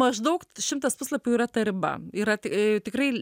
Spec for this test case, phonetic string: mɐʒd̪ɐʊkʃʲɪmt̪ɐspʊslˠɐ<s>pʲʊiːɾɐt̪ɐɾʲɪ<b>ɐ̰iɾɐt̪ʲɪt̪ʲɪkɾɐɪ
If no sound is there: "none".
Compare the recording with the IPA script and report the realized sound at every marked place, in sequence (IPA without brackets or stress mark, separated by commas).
none, b